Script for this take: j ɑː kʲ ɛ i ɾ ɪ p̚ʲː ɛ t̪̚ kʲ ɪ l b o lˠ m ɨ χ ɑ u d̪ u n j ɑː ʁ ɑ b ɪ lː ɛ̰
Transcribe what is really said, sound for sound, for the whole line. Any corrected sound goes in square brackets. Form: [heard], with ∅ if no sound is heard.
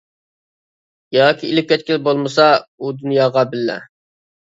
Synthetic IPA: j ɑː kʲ [i] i [l] ɪ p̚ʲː ɛ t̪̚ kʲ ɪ l b o lˠ m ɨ [s] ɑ u d̪ u n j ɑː ʁ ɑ b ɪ lː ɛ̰